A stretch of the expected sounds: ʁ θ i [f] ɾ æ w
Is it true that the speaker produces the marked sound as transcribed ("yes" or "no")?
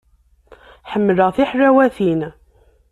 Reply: no